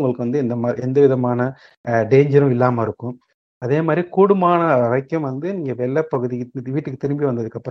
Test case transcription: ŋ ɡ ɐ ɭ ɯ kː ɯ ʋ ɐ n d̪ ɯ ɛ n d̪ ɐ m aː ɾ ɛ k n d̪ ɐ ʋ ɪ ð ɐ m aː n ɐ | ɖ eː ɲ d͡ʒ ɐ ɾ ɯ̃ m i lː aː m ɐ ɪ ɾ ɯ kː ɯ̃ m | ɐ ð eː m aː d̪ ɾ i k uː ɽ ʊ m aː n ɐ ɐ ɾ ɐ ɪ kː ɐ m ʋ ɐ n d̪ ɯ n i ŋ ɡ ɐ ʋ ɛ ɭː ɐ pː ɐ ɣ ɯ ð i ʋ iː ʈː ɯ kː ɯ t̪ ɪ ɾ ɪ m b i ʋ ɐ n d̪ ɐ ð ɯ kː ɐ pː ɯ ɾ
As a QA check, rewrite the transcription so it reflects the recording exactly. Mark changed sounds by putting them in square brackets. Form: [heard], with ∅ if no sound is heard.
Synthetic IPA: ŋ ɡ ɐ ɭ ɯ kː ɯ ʋ ɐ n d̪ ɯ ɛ n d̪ ɐ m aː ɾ ɛ [∅] n d̪ ɐ ʋ ɪ ð ɐ m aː n ɐ | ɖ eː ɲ d͡ʒ ɐ ɾ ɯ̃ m [ɪ] lː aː m ɐ ɪ ɾ ɯ kː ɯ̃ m | ɐ ð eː m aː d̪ ɾ i k uː ɽ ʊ m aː n ɐ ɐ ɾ ɐ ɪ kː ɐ m ʋ ɐ n d̪ ɯ n [iː] ŋ ɡ ɐ ʋ ɛ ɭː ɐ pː ɐ ɣ ɯ ð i ʋ iː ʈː ɯ kː ɯ t̪ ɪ ɾ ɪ m b i ʋ ɐ n d̪ ɐ ð ɯ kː ɐ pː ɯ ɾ